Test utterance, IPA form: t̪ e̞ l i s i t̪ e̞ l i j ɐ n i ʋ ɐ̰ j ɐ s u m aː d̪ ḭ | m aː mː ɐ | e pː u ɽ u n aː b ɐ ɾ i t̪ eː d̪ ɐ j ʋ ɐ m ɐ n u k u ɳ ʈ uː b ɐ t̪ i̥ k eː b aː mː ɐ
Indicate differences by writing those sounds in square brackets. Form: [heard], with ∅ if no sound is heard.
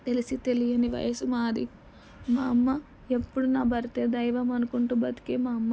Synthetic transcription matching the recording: t̪ e̞ l i s i t̪ e̞ l i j ɐ n i ʋ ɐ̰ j ɐ s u m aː d̪ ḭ | m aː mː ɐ | e pː u ɽ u n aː b ɐ ɾ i t̪ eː d̪ ɐ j ʋ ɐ m ɐ n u k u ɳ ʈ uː b ɐ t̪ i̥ k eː [m] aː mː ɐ